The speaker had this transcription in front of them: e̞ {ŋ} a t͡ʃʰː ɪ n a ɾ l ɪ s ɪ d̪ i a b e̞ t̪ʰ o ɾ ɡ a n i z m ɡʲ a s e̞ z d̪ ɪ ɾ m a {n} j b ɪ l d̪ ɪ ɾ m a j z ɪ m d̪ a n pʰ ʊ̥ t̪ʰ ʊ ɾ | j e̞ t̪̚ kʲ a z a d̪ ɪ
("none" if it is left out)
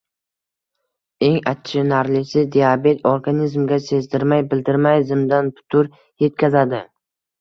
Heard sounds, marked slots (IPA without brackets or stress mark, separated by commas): ŋ, none